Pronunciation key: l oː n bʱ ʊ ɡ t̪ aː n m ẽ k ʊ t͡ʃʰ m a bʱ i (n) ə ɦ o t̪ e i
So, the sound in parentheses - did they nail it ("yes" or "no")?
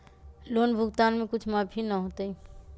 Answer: yes